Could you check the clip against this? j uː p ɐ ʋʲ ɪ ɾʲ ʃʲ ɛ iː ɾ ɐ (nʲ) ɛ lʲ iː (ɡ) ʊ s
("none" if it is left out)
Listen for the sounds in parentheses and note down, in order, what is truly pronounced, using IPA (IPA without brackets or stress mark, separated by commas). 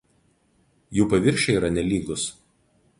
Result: nʲ, ɡ